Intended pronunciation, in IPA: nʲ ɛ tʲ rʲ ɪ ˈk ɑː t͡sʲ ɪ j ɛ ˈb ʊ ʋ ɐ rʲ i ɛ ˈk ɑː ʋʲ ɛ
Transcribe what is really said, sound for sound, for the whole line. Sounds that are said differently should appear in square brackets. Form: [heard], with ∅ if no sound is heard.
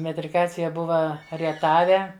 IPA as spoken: [mʲ] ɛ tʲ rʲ ɪ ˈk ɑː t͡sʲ ɪ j ɛ ˈb ʊ ʋ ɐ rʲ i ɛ [ˈt] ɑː ʋʲ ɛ